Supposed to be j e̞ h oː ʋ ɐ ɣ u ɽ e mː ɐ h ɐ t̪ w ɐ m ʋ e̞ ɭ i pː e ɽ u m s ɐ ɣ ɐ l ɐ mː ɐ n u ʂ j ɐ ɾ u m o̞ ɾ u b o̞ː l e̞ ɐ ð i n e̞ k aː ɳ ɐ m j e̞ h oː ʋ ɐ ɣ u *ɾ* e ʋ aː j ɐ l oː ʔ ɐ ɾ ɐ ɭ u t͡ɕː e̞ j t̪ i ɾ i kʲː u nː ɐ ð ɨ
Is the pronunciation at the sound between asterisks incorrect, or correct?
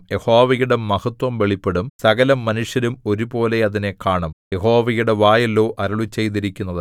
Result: incorrect